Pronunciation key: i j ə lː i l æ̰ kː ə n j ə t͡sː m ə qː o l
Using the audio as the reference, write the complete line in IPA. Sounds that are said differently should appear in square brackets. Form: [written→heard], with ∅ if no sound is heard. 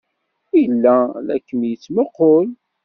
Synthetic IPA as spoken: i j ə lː [i→æ] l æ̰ kː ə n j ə t͡sː m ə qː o l